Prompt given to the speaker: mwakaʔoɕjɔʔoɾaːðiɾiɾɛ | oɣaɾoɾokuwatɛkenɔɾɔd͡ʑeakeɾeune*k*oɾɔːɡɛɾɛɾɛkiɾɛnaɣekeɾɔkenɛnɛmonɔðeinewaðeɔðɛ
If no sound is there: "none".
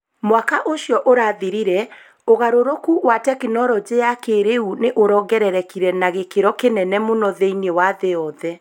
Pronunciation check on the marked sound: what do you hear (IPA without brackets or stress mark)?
ʔ